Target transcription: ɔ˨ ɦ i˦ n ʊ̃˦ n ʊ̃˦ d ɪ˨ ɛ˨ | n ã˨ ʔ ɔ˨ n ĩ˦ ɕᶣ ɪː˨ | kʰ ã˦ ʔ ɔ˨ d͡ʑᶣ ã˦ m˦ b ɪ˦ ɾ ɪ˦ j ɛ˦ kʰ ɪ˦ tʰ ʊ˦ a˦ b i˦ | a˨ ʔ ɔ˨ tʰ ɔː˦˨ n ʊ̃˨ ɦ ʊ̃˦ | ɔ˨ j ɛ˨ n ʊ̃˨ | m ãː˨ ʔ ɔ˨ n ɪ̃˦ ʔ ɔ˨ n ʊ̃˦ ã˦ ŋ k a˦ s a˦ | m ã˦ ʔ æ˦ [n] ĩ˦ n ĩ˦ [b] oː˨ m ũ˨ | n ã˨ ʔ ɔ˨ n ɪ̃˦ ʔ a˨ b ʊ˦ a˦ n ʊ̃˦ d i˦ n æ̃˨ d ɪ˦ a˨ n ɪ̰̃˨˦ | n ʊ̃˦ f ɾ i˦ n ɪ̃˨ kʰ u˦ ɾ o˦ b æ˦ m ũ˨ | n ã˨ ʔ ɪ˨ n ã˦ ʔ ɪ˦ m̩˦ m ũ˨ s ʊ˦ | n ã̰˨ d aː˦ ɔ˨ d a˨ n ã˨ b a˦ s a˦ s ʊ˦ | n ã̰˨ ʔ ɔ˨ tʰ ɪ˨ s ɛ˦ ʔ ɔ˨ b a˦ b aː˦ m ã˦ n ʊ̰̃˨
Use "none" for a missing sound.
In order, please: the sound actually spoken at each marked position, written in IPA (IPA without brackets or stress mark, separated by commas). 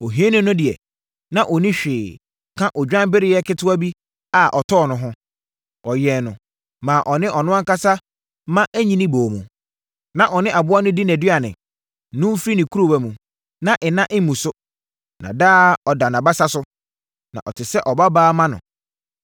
ɲ, b